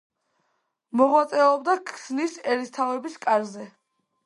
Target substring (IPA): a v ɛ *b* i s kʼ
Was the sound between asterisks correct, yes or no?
yes